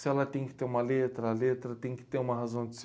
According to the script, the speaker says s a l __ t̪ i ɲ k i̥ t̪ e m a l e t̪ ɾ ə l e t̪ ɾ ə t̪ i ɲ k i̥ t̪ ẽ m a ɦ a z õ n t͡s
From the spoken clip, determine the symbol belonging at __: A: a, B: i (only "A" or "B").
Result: A